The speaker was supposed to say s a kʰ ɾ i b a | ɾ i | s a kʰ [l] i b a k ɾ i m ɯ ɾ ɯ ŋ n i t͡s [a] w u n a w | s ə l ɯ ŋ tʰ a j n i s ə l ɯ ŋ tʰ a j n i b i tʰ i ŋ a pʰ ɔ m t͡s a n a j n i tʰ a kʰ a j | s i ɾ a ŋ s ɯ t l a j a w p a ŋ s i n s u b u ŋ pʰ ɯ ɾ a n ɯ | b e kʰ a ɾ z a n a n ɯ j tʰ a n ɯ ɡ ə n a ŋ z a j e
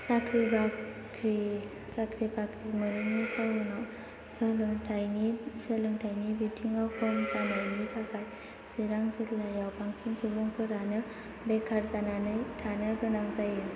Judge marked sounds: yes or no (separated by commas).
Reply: no, yes